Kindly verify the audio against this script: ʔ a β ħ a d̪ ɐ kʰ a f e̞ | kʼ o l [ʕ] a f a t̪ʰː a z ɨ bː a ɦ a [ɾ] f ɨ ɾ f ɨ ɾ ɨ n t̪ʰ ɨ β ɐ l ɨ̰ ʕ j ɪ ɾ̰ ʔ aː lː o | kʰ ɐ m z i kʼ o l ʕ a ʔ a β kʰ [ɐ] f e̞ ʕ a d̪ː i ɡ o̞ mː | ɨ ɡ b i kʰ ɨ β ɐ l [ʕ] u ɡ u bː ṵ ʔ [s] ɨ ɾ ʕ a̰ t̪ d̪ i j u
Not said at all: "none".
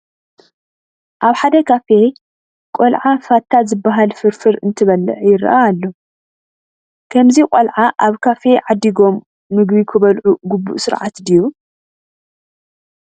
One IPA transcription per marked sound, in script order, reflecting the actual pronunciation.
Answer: ʕ, l, a, ʕ, s

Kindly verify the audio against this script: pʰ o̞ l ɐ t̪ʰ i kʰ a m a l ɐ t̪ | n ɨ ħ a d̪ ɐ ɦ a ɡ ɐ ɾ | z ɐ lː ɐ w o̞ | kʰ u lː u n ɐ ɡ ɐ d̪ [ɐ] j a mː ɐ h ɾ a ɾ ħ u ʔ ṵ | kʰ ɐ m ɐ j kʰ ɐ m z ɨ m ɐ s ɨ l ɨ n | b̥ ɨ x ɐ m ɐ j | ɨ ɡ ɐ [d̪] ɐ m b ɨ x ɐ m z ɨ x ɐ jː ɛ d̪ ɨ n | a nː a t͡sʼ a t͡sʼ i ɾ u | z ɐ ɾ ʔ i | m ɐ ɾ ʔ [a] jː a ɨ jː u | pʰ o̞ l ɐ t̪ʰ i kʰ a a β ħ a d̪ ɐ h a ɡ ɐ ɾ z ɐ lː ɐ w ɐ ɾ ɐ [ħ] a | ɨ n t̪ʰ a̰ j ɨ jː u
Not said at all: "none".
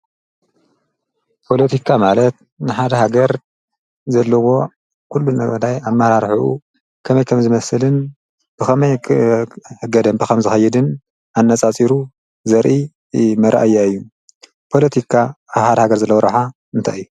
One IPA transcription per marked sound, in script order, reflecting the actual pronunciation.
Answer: a, d̪, a, ħ

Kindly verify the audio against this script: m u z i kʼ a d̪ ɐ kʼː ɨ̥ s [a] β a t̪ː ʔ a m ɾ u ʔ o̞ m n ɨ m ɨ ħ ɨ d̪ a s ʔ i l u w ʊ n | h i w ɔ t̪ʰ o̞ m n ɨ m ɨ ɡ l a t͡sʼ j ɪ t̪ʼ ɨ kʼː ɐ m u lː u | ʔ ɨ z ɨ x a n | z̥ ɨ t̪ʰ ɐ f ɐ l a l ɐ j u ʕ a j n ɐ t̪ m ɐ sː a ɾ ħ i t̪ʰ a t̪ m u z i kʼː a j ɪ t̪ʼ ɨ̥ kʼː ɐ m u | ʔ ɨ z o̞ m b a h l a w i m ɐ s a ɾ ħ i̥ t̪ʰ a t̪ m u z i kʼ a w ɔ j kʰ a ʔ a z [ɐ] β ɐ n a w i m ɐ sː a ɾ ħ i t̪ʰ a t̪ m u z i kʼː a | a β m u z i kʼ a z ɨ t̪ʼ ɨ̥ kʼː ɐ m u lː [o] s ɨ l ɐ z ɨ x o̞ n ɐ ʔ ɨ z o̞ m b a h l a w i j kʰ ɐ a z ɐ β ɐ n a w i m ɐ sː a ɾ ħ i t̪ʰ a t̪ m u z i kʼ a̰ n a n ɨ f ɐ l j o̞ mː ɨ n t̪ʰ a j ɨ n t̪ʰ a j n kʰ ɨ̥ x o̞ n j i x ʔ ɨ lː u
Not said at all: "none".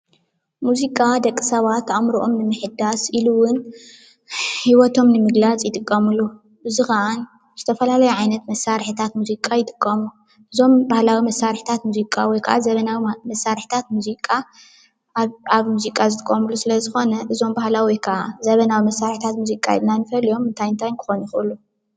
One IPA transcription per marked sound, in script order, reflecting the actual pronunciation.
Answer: ɐ, ɐ, u

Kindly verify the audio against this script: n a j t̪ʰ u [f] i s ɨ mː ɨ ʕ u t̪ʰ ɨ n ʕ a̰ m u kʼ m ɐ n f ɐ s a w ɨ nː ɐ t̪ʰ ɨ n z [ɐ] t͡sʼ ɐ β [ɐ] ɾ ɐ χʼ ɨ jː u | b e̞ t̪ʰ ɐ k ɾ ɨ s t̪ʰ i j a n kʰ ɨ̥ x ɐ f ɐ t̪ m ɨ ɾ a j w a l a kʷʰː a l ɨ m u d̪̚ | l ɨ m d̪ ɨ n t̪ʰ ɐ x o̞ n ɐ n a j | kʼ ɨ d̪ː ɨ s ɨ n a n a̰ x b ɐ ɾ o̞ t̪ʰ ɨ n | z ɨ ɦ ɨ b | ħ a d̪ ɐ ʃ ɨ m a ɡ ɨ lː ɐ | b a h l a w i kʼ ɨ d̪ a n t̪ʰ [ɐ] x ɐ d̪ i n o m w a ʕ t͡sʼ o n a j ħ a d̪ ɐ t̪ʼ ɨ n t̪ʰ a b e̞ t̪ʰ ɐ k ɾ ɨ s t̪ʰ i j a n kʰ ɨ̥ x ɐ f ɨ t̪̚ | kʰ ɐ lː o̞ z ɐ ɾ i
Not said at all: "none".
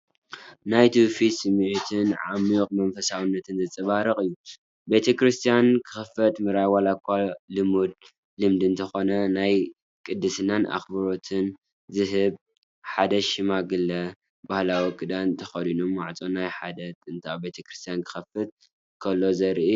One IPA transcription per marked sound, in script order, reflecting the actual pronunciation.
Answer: f, ɐ, a, ɐ

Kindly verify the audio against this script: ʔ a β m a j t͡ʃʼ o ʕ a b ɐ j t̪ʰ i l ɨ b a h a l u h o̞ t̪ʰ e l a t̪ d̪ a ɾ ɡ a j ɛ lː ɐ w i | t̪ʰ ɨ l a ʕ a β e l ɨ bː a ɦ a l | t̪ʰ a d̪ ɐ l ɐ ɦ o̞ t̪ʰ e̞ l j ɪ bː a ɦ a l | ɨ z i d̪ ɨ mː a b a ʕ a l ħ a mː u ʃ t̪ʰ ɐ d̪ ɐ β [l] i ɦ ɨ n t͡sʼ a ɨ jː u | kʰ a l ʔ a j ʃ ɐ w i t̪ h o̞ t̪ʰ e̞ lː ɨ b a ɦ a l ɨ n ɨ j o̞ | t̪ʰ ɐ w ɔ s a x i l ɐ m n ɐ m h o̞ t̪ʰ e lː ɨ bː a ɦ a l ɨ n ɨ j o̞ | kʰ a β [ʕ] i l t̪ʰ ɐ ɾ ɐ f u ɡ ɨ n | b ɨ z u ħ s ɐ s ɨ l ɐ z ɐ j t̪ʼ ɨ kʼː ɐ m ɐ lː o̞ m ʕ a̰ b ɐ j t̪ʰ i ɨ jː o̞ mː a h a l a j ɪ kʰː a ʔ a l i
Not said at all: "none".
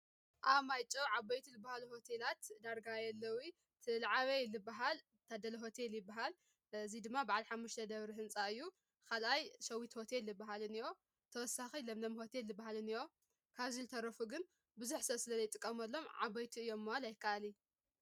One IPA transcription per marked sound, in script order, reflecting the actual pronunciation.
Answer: ɾ, z

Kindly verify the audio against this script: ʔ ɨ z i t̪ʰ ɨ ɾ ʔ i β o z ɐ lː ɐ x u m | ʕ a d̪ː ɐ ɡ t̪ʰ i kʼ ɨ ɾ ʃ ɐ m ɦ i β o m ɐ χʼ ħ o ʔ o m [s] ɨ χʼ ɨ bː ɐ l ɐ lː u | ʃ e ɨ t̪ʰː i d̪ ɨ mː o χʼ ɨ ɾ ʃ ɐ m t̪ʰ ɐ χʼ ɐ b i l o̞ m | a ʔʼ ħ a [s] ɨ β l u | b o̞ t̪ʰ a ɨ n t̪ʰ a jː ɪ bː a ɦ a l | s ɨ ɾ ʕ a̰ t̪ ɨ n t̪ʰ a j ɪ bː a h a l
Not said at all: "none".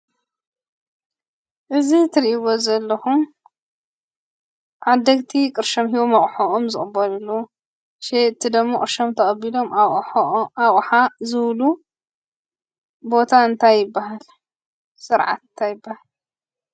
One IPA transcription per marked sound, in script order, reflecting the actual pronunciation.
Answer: z, z

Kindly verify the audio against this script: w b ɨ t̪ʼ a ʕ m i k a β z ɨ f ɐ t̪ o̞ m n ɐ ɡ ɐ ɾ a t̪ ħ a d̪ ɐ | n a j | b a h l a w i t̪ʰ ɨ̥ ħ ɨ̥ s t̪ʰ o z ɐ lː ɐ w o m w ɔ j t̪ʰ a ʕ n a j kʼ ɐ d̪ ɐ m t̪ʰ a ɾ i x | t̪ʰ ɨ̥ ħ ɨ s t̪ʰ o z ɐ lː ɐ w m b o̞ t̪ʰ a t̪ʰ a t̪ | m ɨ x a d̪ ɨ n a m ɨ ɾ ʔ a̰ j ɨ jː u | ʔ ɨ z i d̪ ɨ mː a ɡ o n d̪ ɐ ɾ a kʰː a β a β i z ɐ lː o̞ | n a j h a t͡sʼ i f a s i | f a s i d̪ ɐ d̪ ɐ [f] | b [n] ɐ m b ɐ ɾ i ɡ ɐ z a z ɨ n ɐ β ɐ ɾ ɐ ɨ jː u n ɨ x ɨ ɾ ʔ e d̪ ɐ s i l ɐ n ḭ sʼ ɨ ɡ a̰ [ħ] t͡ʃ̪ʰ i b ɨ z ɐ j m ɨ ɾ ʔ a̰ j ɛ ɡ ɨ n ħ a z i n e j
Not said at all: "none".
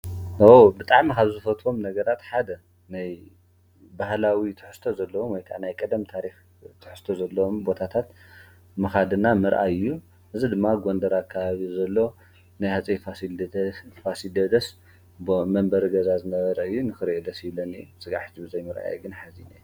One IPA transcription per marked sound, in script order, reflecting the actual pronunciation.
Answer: s, m, ħ

